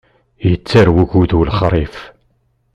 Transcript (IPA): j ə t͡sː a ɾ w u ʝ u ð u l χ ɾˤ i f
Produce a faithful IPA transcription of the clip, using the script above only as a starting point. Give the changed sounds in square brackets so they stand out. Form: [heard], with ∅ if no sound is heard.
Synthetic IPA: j ə t͡sː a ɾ w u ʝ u ð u l χ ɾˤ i f